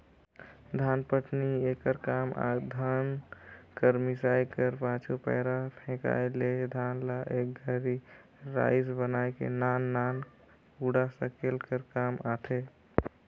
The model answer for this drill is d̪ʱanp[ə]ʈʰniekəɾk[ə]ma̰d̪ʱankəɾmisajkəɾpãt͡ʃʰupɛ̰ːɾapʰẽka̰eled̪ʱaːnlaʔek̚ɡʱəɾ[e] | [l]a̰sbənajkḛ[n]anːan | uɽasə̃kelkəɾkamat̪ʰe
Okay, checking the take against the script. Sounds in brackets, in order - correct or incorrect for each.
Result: correct, incorrect: a, incorrect: i, incorrect: ɾ, correct

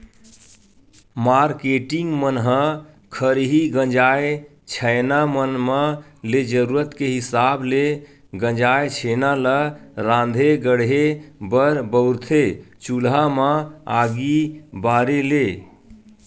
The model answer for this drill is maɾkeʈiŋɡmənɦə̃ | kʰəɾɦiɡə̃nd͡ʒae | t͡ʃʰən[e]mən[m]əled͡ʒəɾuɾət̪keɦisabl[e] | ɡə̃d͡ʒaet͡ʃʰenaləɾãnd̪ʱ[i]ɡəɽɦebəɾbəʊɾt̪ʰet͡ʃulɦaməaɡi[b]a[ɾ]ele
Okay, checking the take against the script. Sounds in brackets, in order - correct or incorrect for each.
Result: incorrect: a, correct, correct, incorrect: e, correct, correct

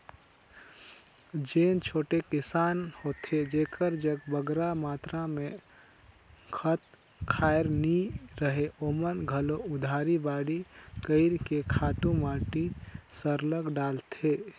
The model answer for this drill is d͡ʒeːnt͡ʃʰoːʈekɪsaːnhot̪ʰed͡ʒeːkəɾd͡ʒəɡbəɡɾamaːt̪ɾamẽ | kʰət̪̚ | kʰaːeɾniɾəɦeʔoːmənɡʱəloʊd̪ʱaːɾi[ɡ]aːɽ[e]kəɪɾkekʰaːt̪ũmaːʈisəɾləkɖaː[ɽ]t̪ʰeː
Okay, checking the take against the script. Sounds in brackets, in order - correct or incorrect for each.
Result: incorrect: b, incorrect: i, incorrect: l

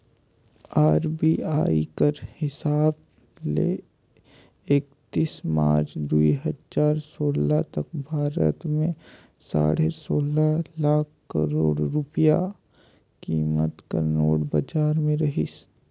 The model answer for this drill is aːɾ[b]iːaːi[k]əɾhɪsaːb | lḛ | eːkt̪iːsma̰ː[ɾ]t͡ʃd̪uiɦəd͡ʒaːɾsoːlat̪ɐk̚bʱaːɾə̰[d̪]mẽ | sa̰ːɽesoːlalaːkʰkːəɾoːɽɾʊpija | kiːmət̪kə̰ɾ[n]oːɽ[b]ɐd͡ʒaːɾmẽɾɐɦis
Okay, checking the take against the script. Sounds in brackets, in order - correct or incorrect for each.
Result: correct, correct, correct, incorrect: t̪, correct, correct

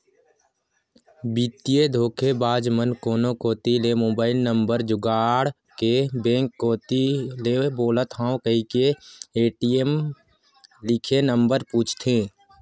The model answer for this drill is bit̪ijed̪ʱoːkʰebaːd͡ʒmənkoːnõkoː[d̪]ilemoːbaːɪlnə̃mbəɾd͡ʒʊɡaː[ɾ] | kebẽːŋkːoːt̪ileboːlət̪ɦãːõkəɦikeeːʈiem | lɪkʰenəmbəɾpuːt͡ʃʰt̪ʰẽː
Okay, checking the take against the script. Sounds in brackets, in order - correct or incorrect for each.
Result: incorrect: t̪, incorrect: ɽ

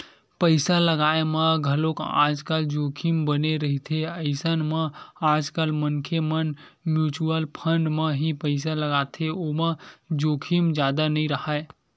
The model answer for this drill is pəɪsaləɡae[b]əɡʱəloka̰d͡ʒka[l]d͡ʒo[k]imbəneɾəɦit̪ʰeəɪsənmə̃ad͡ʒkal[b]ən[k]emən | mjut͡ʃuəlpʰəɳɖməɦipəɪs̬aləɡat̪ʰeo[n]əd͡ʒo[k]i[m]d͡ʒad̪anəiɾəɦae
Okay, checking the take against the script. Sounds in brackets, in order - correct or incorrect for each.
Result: incorrect: m, correct, incorrect: kʰ, incorrect: m, incorrect: kʰ, incorrect: m, incorrect: kʰ, correct

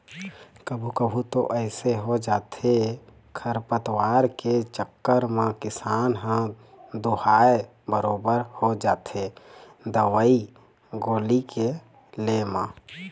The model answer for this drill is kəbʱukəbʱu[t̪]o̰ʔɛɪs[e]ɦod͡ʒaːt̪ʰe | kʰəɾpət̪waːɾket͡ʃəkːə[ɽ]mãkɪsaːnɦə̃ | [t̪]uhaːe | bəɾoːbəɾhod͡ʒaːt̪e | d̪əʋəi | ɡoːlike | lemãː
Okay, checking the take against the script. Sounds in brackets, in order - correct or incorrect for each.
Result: correct, correct, incorrect: ɾ, incorrect: d̪

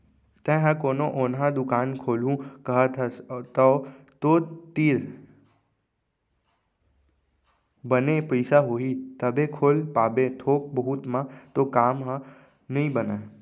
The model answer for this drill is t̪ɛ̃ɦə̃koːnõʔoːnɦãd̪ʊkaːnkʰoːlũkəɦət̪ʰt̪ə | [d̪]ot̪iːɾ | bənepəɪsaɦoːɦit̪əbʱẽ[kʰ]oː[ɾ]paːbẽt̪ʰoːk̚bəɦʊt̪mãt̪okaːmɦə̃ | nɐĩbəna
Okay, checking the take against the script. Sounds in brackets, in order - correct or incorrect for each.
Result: incorrect: t̪, correct, incorrect: l

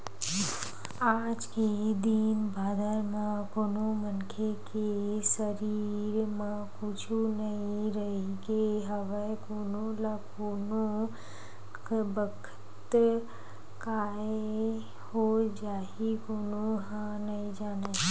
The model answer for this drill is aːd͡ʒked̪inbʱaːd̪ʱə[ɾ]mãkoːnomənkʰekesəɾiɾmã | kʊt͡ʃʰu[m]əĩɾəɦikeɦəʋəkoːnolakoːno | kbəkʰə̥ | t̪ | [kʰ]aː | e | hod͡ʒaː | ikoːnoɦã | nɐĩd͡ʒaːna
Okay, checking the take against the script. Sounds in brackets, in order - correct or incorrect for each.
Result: correct, incorrect: n, incorrect: k

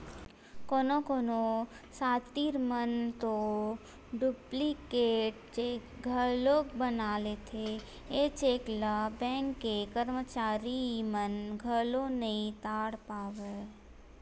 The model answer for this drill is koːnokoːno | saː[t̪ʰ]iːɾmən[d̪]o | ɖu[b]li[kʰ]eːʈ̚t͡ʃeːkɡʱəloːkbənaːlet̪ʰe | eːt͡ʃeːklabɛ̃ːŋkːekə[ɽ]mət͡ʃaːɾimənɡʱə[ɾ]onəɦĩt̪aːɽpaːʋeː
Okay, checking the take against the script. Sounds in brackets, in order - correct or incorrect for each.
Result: incorrect: t̪, incorrect: t̪, incorrect: p, incorrect: k, incorrect: ɾ, incorrect: l

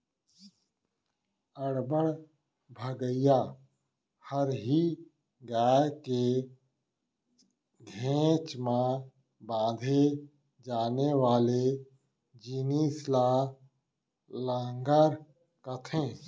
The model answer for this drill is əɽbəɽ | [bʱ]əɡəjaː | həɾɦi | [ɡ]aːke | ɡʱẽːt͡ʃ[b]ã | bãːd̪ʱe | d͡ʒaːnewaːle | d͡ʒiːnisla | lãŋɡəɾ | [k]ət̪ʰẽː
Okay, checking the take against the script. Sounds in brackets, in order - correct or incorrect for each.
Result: correct, correct, incorrect: m, correct

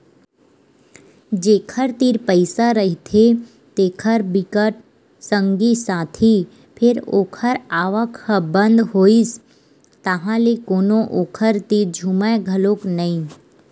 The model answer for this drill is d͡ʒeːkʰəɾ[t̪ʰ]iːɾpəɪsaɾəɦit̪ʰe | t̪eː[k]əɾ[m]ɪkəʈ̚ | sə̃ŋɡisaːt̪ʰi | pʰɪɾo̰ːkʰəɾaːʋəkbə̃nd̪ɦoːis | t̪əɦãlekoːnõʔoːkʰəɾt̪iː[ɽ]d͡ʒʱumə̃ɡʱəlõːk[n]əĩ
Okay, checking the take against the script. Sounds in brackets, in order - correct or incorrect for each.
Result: incorrect: t̪, incorrect: kʰ, incorrect: b, incorrect: ɾ, correct

